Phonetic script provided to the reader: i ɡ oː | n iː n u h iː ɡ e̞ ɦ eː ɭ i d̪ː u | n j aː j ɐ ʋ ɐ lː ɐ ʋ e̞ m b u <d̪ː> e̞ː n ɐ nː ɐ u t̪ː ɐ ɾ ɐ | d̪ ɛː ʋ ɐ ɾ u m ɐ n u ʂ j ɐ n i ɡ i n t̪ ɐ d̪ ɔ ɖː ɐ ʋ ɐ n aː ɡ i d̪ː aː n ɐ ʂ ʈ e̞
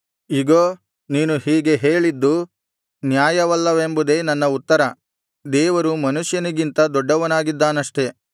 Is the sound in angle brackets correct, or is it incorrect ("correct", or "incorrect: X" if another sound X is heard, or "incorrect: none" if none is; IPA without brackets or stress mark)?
incorrect: d̪